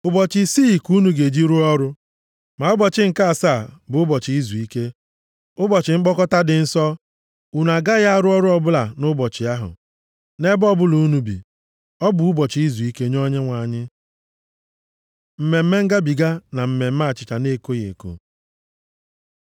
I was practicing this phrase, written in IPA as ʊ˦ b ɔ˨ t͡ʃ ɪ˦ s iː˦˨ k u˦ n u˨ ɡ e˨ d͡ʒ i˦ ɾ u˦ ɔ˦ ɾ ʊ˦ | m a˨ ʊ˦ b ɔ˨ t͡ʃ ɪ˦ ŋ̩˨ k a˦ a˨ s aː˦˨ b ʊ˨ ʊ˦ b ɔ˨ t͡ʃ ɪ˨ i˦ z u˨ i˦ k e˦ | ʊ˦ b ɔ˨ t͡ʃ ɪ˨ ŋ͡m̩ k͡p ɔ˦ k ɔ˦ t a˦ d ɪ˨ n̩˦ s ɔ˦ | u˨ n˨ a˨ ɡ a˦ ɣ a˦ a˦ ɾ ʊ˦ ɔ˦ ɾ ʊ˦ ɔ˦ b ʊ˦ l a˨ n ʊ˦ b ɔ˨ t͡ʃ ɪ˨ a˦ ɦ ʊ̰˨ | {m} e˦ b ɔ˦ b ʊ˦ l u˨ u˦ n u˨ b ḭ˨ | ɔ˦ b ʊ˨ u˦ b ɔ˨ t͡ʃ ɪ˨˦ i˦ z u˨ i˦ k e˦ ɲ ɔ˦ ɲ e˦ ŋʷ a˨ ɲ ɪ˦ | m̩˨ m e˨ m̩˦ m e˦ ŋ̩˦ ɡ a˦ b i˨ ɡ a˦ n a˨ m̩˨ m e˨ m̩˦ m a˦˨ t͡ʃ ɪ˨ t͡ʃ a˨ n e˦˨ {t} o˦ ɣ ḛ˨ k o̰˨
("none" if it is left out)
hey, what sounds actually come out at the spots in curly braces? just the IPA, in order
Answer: n, k

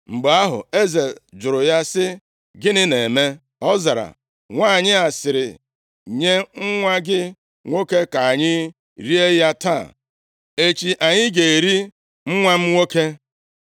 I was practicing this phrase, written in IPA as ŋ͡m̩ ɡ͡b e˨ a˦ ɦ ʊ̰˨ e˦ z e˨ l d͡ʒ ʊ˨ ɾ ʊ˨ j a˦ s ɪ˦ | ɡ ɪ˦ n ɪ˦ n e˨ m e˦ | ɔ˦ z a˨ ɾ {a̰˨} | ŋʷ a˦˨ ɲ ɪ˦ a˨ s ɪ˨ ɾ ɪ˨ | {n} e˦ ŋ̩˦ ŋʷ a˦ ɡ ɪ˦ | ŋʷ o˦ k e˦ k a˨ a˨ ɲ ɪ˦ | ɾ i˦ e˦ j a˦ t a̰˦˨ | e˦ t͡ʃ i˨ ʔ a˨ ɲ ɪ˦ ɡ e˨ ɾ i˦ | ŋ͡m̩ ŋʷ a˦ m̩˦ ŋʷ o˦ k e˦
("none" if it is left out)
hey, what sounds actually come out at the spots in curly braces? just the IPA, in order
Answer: a̰˨, ɲ

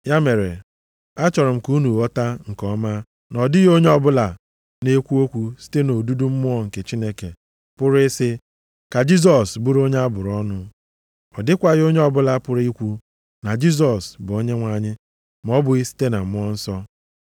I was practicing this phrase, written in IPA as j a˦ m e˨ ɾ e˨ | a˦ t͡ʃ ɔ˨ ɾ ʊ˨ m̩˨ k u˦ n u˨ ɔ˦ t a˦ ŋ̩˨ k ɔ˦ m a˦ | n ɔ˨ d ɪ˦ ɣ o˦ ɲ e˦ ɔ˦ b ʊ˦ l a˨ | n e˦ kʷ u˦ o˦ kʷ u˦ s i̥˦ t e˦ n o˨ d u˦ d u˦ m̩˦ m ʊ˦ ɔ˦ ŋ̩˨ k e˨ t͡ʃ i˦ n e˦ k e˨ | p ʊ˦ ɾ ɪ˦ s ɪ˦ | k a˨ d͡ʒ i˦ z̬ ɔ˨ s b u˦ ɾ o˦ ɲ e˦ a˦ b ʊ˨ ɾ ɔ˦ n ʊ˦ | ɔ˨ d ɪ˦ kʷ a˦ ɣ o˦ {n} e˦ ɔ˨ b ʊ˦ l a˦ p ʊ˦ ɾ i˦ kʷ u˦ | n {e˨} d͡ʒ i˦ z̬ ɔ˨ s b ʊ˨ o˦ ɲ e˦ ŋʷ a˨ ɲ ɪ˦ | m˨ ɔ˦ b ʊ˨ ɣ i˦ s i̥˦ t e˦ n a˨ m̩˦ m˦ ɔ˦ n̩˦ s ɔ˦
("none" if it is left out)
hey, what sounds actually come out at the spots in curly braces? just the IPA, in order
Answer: ɲ, a˨

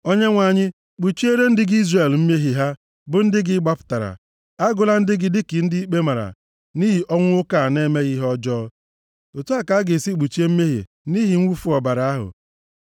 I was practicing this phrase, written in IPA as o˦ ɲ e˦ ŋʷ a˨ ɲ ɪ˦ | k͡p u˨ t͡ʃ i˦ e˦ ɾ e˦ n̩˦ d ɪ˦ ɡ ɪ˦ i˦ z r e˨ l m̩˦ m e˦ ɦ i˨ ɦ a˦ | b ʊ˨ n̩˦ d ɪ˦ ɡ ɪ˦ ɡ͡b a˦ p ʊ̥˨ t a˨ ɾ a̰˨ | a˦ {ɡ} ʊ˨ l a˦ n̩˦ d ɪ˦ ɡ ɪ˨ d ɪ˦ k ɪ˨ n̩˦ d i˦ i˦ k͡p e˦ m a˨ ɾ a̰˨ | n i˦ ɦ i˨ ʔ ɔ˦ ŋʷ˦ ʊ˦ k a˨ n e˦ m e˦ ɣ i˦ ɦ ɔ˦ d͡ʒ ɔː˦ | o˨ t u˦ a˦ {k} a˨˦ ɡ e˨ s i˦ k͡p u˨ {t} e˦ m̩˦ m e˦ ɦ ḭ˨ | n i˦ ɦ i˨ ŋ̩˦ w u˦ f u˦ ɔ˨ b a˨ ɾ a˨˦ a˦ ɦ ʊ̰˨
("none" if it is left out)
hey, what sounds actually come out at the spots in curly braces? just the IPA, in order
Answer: ɡ, k, t͡ʃ

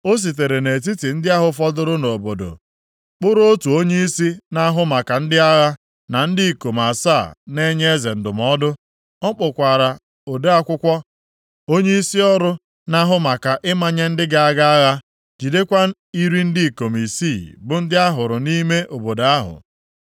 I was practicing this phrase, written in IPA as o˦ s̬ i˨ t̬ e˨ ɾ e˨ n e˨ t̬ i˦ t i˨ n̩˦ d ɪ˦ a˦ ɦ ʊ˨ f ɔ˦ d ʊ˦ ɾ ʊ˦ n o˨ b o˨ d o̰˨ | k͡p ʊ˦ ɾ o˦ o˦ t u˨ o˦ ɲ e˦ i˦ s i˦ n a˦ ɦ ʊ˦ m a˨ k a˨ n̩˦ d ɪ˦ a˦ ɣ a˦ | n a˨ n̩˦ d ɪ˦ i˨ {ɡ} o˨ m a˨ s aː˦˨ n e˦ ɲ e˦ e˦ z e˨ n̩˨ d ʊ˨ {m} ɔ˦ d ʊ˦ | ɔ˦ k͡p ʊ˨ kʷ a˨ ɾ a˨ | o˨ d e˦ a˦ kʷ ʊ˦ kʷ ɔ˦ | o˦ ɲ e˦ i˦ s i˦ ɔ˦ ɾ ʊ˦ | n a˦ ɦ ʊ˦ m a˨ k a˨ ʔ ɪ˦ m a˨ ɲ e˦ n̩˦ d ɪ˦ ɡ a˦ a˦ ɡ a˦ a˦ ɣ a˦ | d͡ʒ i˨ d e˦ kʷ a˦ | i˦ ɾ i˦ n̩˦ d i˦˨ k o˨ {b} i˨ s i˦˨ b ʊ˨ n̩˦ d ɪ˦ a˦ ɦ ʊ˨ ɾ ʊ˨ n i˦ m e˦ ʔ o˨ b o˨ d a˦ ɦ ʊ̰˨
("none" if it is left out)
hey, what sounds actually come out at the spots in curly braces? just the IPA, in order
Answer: k, m, m

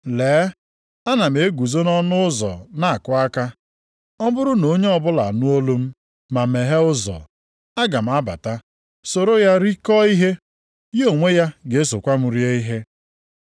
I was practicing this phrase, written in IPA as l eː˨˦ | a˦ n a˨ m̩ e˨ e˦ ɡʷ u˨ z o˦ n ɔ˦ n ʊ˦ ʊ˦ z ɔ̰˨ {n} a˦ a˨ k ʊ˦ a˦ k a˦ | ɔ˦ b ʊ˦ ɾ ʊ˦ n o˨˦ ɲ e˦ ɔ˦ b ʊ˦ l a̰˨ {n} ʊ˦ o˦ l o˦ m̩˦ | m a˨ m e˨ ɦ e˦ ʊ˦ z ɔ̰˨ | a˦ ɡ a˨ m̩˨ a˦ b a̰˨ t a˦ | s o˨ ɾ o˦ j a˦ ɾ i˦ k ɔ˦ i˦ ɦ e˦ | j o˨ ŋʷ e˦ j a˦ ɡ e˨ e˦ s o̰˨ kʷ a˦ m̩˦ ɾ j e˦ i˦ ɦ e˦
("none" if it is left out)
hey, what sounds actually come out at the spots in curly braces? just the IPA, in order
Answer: n, n

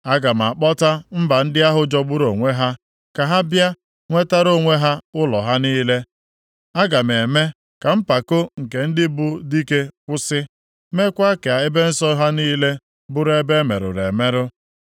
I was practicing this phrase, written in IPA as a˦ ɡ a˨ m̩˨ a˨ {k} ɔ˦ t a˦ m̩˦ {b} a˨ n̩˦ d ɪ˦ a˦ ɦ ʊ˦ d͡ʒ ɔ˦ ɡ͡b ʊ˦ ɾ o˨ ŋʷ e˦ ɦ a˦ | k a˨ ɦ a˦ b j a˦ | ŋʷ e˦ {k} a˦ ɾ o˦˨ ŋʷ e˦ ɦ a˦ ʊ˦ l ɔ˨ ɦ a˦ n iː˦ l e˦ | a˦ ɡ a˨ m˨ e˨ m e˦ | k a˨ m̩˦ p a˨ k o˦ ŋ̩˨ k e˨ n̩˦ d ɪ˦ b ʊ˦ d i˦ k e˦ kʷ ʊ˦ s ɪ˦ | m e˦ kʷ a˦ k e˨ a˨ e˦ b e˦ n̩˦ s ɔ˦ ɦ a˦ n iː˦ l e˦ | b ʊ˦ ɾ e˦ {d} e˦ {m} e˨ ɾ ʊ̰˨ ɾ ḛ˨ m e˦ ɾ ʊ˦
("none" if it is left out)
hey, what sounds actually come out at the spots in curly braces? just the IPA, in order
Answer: k͡p, b, t, b, m

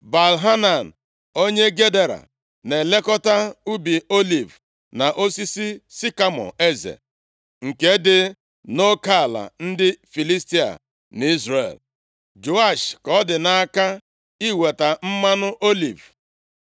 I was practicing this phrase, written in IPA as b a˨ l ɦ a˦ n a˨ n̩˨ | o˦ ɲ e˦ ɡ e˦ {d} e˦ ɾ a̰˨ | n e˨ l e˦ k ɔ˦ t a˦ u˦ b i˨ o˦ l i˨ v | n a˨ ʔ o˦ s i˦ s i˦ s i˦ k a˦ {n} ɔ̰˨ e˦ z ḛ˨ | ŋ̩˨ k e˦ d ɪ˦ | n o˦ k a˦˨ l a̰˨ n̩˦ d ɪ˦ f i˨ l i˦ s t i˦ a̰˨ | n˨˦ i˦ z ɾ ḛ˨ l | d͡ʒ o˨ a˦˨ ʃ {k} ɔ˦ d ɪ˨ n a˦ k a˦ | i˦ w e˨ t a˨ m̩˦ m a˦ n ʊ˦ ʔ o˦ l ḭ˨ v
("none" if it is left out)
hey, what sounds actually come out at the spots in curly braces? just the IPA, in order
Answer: d, m, k

